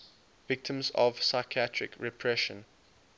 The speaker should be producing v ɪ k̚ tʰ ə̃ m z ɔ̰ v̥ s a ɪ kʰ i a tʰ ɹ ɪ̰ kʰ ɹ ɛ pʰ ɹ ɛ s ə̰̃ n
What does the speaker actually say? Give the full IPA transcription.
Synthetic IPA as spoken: v ɪ k̚ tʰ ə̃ m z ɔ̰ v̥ s a ɪ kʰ i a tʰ ɹ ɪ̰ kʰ ɹ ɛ pʰ ɹ ɛ ʃ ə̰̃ n